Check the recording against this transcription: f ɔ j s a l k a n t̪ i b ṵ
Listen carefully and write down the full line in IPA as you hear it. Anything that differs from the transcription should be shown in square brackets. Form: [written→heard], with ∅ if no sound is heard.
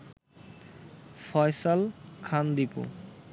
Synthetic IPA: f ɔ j s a l [k→kʰ] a n [t̪→d̪] i [b→p] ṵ